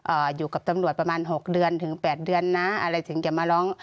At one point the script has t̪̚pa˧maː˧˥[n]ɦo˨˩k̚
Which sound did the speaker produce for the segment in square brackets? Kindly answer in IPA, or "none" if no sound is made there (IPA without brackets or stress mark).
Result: n